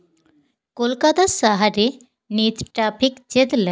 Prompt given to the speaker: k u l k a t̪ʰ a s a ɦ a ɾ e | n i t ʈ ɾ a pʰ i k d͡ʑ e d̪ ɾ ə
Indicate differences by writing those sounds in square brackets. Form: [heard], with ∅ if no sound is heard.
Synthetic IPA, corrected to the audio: k [o] l k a [t̪] a s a ɦ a ɾ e | n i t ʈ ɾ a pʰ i k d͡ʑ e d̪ [l] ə